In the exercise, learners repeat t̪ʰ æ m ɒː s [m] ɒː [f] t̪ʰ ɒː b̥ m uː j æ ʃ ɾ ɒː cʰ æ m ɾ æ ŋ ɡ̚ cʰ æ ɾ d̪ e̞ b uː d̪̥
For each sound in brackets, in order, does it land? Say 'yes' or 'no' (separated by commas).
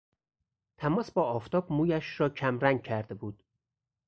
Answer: no, yes